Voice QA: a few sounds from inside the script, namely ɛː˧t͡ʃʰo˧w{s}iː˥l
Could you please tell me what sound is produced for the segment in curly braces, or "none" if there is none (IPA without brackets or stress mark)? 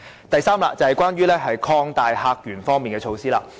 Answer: s